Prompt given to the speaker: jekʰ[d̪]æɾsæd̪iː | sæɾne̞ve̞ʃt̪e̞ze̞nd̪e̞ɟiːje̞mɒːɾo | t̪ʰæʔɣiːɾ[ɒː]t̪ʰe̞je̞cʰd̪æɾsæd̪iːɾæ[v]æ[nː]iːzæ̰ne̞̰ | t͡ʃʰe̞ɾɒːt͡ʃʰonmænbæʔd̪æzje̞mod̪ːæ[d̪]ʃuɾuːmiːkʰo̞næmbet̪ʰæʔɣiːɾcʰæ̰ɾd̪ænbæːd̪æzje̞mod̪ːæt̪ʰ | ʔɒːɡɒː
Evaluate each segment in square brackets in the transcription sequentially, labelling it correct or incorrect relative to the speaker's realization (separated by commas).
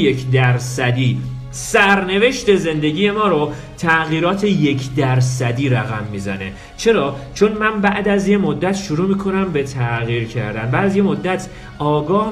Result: correct, correct, incorrect, incorrect, incorrect